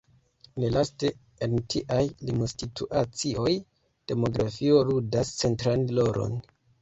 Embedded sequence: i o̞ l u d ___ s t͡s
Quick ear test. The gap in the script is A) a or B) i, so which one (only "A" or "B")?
A